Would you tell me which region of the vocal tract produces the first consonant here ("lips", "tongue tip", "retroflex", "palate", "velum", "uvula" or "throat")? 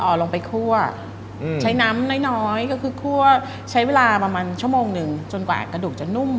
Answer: throat